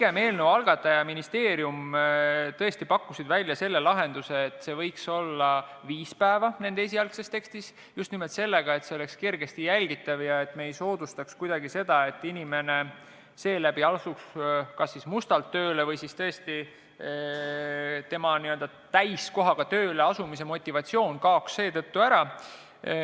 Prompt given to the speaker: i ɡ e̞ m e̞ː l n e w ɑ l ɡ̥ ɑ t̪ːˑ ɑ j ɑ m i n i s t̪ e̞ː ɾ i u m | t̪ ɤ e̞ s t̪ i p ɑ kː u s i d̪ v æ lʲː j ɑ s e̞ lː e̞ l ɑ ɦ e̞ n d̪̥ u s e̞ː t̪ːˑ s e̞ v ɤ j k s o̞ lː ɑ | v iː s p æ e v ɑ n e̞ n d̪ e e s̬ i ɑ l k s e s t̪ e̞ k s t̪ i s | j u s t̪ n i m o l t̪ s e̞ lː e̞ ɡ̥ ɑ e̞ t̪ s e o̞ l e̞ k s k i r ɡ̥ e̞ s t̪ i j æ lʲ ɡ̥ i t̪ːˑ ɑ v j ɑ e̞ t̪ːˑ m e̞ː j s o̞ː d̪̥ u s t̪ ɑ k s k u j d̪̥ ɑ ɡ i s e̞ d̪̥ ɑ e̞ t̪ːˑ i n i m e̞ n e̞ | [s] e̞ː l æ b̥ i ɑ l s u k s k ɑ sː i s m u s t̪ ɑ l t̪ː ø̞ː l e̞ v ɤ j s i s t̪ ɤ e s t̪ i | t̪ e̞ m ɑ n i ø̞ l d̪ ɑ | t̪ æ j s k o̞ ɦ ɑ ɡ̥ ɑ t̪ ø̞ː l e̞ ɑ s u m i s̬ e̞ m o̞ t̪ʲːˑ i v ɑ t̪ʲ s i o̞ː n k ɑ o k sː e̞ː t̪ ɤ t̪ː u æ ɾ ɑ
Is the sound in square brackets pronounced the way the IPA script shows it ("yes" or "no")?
yes